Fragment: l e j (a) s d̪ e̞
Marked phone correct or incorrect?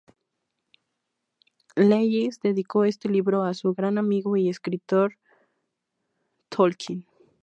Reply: incorrect